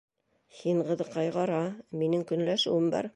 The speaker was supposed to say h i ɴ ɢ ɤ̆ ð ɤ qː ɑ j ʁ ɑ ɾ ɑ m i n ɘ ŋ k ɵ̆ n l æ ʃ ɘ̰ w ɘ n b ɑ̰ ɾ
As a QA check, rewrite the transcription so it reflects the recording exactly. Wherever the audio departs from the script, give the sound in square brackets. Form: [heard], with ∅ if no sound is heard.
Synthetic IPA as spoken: h i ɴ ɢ ɤ̆ ð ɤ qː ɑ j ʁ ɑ ɾ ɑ m i n ɘ ŋ k ɵ̆ n l æ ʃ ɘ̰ w ɘ [m] b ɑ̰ ɾ

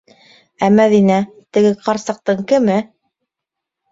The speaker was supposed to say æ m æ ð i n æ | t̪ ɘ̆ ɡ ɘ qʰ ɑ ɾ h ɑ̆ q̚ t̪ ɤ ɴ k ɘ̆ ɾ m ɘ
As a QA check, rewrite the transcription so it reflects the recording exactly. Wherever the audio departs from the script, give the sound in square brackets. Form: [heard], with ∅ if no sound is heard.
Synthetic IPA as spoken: æ m æ ð i n æ | t̪ ɘ̆ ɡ ɘ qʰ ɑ ɾ [s] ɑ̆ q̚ t̪ ɤ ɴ k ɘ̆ [∅] m ɘ

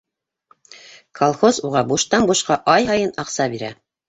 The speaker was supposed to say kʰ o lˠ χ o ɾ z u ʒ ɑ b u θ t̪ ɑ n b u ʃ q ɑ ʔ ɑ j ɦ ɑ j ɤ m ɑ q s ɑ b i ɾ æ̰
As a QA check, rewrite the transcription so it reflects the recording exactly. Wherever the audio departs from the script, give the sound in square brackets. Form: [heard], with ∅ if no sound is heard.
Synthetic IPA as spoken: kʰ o lˠ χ o [∅] z u [ʁ] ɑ b u [ʃ] t̪ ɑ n b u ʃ q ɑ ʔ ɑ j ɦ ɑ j ɤ [n] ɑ q s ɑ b i ɾ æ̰

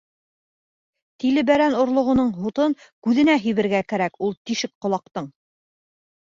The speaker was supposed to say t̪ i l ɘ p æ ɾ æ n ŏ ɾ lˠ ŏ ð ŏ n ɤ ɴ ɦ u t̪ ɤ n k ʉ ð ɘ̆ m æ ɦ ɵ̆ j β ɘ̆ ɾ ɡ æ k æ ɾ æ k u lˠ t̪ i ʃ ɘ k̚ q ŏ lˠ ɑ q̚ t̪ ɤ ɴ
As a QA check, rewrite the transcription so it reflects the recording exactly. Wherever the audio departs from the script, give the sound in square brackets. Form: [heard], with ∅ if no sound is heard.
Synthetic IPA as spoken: t̪ i l ɘ [b] æ ɾ æ n ŏ ɾ lˠ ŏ [ʁ] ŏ n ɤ ɴ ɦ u t̪ ɤ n k ʉ ð ɘ̆ [n] æ ɦ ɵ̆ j β ɘ̆ ɾ ɡ æ k æ ɾ æ k u lˠ t̪ i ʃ ɘ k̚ q ŏ lˠ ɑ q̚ t̪ ɤ ɴ

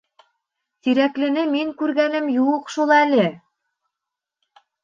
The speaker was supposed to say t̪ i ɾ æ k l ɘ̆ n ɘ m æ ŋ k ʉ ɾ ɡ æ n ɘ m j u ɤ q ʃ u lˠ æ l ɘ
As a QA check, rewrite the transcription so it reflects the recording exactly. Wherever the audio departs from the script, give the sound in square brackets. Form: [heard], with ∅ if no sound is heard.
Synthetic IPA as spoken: t̪ i ɾ æ k l ɘ̆ n ɘ m [i] ŋ k ʉ ɾ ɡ æ n ɘ m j u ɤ q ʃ u lˠ æ l ɘ

